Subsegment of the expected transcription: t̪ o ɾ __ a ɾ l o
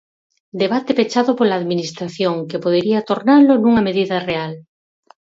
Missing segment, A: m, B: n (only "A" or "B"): B